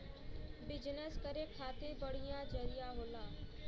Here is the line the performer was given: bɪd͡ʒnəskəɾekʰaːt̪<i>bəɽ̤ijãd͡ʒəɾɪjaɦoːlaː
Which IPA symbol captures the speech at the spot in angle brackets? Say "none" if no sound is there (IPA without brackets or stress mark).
e